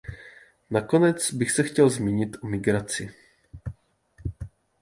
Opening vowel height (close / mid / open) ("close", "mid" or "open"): open